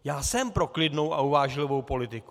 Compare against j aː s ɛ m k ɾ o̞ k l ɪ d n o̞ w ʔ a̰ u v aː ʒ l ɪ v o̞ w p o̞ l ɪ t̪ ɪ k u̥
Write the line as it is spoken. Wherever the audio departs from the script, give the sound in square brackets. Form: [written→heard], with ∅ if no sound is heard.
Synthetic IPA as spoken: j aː s ɛ m [k→p] ɾ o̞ k l ɪ d n o̞ w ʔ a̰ u v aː ʒ l ɪ v o̞ w p o̞ l ɪ t̪ ɪ k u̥

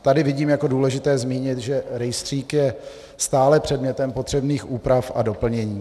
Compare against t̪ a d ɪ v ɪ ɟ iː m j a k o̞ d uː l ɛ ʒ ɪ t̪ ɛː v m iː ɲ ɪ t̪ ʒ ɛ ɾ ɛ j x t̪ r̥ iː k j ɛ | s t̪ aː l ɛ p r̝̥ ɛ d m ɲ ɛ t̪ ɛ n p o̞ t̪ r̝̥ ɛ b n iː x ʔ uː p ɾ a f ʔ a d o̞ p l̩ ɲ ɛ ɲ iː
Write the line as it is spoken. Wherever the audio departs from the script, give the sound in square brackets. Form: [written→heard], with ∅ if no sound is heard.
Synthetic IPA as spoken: t̪ a d ɪ v ɪ ɟ iː m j a k o̞ d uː l ɛ ʒ ɪ t̪ ɛː [v→z] m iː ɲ ɪ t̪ ʒ ɛ ɾ ɛ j [x→s] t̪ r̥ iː k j ɛ | s t̪ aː l ɛ p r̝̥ ɛ d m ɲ ɛ t̪ ɛ [n→m] p o̞ t̪ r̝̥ ɛ b n iː x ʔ uː p ɾ a f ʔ a d o̞ p l̩ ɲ ɛ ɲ iː

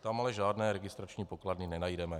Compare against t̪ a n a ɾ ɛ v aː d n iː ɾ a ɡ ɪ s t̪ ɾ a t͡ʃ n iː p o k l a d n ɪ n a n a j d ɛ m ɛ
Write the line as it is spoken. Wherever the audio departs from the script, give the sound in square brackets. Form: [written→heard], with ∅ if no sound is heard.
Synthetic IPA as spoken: t̪ a [n→m] a [ɾ→l] ɛ [v→ʒ] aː d n [iː→ɛː] ɾ [a→ɛ] ɡ ɪ s t̪ ɾ a t͡ʃ [n→ɲ] iː p o k l a d n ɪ n [a→ɛ] n a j d ɛ m ɛ

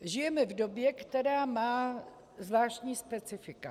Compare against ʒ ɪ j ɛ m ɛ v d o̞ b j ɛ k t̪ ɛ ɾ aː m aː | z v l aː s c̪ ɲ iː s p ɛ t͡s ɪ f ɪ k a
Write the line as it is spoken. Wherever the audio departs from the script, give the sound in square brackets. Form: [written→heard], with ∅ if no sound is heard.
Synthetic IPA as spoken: ʒ ɪ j ɛ m ɛ v d o̞ b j ɛ k t̪ ɛ ɾ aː m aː | z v l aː [s→ʃ] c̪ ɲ iː s p ɛ t͡s ɪ f ɪ k a

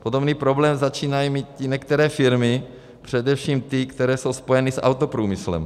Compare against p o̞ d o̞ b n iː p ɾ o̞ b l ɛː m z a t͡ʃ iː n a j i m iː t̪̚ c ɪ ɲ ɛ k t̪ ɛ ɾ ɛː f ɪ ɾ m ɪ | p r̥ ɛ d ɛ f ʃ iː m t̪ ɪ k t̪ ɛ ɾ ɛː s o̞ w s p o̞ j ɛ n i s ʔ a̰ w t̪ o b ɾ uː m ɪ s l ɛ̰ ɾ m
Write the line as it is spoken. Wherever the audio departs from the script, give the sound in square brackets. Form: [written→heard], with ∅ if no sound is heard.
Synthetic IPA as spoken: p o̞ d o̞ b n iː p ɾ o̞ b l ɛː m z a t͡ʃ iː n a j i m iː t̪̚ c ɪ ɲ ɛ k t̪ ɛ ɾ ɛː f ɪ ɾ m ɪ | p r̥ ɛ d ɛ f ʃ iː m t̪ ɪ k t̪ ɛ ɾ ɛː s o̞ w s p o̞ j ɛ n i s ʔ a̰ w t̪ o [b→p] ɾ uː m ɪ s l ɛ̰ [ɾ→∅] m

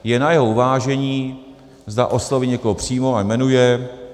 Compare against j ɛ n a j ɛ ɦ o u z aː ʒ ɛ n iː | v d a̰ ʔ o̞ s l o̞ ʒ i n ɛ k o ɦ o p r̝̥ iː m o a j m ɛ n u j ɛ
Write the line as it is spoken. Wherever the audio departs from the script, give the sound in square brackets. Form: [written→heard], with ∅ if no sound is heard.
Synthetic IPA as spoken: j ɛ n a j ɛ ɦ o u [z→v] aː ʒ ɛ [n→ɲ] iː | [v→z] d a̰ ʔ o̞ s l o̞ [ʒ→v] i [n→ɲ] ɛ k o ɦ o p r̝̥ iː m o a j m ɛ n u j ɛ

